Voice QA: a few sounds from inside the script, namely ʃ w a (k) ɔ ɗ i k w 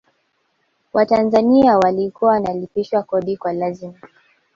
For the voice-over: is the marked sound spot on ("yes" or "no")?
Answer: yes